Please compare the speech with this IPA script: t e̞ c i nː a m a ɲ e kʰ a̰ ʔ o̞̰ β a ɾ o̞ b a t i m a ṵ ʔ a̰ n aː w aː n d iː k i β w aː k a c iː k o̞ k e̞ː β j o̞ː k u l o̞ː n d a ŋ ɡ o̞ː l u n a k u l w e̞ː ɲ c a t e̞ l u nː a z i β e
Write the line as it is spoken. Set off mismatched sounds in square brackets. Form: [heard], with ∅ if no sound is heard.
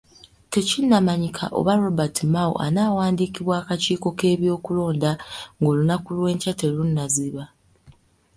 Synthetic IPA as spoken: t e̞ c i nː a m a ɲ [i] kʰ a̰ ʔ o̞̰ β a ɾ o̞ b a t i m a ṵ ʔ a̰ n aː w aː n d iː k i β w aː k a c iː k o̞ k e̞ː β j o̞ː k u l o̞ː n d a ŋ ɡ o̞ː l u n a k u l w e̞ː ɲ c a t e̞ l u nː a z i β [a]